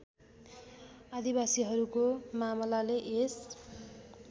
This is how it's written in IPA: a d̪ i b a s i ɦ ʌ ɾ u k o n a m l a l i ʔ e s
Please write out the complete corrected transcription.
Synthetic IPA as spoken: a d̪ i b a s i ɦ ʌ ɾ u k o m a m l a l e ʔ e s